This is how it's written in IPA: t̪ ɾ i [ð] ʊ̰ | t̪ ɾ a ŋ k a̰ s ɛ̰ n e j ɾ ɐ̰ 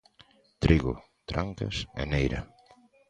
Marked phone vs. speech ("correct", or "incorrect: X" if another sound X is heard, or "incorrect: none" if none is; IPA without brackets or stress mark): incorrect: ɣ